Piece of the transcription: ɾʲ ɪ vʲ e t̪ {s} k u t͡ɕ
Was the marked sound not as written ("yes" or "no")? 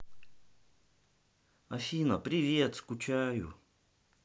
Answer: no